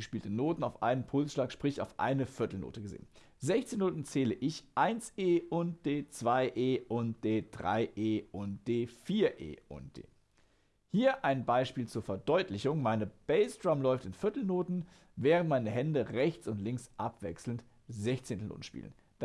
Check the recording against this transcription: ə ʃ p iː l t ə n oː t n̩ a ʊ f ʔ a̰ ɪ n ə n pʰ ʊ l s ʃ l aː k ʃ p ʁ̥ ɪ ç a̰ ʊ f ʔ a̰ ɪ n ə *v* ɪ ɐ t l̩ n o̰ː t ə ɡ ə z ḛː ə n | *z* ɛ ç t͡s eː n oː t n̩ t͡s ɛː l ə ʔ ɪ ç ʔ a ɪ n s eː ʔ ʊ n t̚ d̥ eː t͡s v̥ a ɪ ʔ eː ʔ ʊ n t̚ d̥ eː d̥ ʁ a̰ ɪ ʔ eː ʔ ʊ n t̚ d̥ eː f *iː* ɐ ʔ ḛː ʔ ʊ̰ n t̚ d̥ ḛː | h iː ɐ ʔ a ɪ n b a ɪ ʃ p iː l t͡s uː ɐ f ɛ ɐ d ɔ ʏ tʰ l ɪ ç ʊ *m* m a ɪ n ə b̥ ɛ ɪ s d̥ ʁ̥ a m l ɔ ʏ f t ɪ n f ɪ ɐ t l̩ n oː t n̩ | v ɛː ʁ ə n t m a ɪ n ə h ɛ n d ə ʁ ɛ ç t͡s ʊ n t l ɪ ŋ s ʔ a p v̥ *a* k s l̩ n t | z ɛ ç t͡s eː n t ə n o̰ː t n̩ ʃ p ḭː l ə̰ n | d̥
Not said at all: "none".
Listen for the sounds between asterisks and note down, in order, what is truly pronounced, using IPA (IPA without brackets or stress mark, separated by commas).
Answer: f, z, iː, ŋ, ɛ